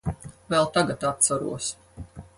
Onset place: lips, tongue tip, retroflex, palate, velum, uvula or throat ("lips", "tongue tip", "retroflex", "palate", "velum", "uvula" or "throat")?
lips